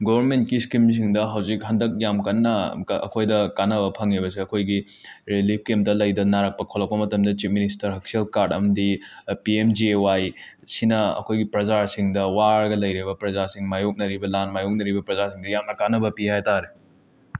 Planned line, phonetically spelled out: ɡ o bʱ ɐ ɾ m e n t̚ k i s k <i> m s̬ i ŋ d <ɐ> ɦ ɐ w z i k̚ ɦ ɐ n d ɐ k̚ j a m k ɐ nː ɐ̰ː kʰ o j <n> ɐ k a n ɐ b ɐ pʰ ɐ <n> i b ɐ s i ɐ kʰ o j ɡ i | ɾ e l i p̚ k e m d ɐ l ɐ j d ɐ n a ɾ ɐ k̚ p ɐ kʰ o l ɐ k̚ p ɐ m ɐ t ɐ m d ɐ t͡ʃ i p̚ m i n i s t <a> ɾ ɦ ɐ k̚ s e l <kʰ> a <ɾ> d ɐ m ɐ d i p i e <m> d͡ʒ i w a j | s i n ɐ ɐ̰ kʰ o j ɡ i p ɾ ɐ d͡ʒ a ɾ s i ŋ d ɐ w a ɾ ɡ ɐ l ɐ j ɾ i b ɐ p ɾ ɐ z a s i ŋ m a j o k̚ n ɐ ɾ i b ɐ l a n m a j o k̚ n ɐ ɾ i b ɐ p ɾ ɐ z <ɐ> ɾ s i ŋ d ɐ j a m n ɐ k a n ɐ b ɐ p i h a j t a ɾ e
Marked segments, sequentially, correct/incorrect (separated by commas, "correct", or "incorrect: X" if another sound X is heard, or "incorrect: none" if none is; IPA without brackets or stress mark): correct, correct, incorrect: d, incorrect: ŋ, incorrect: ɐ, incorrect: k, correct, correct, incorrect: a